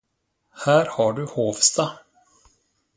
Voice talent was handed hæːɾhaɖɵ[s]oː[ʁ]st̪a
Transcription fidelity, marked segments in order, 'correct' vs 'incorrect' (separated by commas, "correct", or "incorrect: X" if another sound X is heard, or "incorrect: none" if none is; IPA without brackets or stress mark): incorrect: h, incorrect: v